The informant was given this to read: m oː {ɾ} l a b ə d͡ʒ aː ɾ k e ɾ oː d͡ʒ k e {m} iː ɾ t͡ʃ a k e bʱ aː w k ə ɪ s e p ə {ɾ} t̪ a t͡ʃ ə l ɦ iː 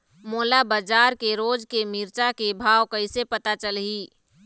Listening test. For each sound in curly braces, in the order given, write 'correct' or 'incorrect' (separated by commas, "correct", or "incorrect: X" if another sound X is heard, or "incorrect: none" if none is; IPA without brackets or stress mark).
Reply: incorrect: none, correct, incorrect: none